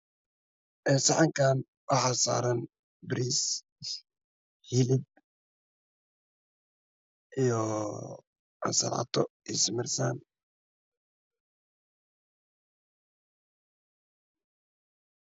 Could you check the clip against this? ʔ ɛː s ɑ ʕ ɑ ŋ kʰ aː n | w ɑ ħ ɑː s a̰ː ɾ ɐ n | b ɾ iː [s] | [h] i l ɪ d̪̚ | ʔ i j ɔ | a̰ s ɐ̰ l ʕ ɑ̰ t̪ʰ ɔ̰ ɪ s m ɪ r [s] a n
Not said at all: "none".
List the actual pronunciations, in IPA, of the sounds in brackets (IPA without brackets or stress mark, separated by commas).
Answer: s, h, s